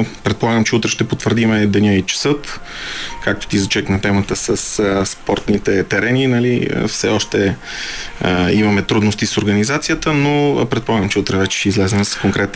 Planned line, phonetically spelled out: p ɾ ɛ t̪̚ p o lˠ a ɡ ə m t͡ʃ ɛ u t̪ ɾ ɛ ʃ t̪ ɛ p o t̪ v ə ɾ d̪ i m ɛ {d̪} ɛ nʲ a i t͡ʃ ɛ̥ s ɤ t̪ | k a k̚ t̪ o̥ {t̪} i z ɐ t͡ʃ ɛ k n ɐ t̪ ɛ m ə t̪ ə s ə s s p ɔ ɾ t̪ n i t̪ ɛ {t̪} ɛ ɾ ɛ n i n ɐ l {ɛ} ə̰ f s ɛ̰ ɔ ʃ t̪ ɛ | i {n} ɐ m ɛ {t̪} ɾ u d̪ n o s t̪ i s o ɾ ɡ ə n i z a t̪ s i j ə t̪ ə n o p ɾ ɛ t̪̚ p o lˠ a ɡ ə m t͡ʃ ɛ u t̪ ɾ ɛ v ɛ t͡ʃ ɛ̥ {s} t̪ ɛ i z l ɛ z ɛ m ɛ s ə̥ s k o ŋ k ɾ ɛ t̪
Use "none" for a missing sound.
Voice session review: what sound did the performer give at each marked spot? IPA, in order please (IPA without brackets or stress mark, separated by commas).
d̪, t̪, t̪, i, m, t̪, ʃ